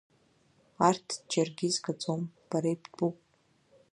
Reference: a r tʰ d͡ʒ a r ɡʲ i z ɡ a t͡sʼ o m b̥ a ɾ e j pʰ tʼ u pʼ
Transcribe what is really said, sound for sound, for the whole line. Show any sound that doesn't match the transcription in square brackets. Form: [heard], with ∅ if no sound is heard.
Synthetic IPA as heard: a r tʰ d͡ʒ a r ɡʲ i z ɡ a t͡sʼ o m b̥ a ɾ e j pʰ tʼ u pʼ

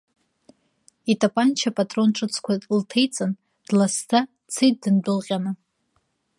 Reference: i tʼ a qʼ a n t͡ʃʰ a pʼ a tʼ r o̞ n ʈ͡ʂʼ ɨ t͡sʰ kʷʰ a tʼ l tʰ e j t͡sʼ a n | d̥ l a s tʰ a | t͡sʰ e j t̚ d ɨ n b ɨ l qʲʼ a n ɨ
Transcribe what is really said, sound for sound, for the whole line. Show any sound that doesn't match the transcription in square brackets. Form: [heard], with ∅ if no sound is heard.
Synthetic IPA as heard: i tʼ a [pʼ] a n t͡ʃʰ a pʼ a tʼ r o̞ n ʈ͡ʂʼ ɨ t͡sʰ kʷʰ a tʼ l tʰ e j t͡sʼ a n | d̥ l a s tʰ a | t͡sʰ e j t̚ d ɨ n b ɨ l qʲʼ a n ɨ

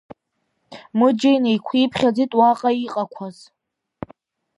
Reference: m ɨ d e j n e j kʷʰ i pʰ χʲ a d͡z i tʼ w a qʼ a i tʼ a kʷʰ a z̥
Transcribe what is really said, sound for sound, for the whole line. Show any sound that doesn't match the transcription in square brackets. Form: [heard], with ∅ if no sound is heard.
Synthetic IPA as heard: m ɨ [d͡ʒ] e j n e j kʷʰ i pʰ χʲ a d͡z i tʼ w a qʼ a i [qʼ] a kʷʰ a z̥

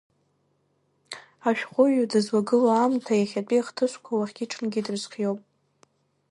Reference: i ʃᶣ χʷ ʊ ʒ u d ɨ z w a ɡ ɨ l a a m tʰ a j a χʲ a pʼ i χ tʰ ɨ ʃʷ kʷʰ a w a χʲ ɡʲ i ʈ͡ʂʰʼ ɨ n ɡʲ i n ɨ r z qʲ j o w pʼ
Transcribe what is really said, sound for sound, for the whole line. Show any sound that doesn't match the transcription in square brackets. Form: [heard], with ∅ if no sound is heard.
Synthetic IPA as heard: [a] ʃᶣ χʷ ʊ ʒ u d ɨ z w a ɡ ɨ l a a m tʰ a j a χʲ a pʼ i χ tʰ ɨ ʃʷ kʷʰ a w a χʲ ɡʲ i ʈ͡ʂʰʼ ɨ n ɡʲ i [d] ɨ r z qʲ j o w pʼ

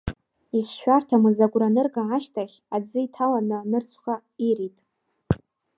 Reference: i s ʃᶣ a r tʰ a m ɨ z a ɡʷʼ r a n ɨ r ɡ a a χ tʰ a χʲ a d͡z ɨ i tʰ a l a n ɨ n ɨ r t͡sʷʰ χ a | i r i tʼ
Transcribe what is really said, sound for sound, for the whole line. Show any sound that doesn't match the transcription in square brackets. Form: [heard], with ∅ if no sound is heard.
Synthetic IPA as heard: i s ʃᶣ a r tʰ a m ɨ z a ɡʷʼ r a n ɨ r ɡ a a [ʃ] tʰ a χʲ a d͡z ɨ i tʰ a l a n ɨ n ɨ r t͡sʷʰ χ a | i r i tʼ

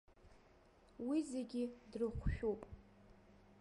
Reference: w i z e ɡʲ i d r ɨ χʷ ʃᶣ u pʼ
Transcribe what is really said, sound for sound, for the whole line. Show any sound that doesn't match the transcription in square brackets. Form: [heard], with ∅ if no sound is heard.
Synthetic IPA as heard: w i z e ɡʲ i d r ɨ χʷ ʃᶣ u pʼ

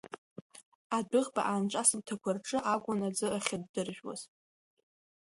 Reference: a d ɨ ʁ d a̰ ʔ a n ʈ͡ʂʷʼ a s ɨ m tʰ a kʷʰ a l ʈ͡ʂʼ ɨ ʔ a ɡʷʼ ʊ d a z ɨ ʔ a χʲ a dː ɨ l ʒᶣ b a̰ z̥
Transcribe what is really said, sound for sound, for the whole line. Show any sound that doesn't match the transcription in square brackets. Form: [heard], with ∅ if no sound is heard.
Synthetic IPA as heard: a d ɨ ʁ [b] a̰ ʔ a n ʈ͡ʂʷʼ a s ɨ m tʰ a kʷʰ a [r] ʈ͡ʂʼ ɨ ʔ a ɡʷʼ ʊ [n] a [d͡z] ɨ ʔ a χʲ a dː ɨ [r] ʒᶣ [w] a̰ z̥

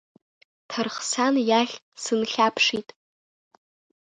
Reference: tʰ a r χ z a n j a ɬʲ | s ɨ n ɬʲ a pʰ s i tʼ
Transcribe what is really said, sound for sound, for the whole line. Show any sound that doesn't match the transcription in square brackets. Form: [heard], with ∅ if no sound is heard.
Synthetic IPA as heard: tʰ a r χ [s] a n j a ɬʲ | s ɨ n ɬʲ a pʰ [ʂ] i tʼ

